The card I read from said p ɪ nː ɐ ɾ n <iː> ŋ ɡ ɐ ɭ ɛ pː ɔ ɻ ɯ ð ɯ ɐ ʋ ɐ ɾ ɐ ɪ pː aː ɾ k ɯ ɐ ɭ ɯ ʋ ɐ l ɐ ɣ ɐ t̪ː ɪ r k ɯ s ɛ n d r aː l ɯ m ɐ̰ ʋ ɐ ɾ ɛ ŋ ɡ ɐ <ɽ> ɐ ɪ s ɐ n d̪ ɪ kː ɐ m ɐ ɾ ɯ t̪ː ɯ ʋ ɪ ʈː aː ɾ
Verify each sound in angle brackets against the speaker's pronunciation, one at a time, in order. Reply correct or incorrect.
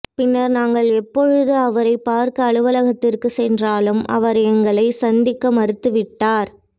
incorrect, incorrect

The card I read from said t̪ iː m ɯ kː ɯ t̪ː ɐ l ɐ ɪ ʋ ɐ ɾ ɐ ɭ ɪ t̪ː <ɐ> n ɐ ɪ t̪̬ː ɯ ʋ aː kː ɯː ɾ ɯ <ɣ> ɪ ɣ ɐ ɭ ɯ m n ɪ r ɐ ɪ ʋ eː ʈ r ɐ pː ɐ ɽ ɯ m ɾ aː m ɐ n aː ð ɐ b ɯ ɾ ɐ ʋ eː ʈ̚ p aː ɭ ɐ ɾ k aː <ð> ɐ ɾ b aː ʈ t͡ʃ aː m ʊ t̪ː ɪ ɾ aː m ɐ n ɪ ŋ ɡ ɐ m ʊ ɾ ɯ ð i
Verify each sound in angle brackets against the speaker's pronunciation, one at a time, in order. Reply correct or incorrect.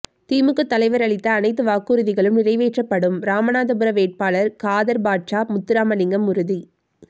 incorrect, incorrect, correct

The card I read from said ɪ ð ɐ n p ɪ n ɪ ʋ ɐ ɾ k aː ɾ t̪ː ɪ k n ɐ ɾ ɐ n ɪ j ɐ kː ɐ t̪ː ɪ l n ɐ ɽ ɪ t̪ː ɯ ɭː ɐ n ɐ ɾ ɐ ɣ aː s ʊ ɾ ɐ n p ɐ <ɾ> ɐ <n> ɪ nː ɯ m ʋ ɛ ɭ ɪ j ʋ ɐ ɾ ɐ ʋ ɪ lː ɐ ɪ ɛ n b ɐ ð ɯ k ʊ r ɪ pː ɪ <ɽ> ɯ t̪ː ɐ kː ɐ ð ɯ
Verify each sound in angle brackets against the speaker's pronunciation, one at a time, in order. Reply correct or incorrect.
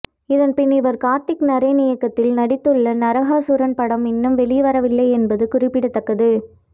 incorrect, incorrect, correct

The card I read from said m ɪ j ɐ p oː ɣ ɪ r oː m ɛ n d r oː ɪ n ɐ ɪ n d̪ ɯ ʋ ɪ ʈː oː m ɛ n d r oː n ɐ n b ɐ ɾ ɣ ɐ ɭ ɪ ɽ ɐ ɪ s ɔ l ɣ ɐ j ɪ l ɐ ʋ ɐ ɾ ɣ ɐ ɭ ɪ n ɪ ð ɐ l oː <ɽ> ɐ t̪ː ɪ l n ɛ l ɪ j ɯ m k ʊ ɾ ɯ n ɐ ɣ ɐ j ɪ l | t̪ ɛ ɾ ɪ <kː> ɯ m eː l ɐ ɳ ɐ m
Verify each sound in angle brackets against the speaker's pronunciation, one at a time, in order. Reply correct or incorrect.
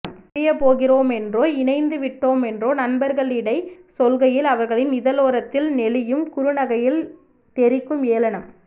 incorrect, correct

